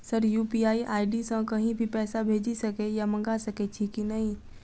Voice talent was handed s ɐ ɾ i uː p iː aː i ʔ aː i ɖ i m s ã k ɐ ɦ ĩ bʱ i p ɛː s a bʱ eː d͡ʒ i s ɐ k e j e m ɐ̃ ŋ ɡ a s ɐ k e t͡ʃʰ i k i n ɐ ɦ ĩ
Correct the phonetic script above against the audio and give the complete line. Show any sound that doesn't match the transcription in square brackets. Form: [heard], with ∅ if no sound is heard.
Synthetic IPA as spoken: s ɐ ɾ [j] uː p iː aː i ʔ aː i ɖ i [∅] s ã k ɐ ɦ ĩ bʱ i p ɛː s a bʱ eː d͡ʒ i s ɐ k e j [a] m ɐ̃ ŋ ɡ a s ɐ k e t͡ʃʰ i k i n ɐ ɦ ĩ